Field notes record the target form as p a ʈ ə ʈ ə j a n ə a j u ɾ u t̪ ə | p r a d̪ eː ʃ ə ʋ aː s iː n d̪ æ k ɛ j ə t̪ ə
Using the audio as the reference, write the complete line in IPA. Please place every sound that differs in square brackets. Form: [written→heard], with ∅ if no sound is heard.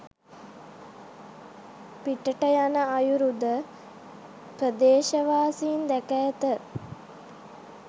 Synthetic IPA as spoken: p [a→i] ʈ ə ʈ ə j a n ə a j u ɾ u [t̪→d̪] ə | p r [a→ə] d̪ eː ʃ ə ʋ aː s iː n d̪ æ k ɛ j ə t̪ ə